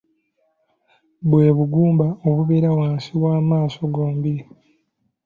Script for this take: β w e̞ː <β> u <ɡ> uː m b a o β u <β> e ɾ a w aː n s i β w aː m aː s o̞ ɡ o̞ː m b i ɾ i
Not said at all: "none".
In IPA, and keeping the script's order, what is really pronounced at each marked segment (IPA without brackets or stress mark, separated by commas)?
β, ɡ, β